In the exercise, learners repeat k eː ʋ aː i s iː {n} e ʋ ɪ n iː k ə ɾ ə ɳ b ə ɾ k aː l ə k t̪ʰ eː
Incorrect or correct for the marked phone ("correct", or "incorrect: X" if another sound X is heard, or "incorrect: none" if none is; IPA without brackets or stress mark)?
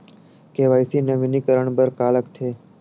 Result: correct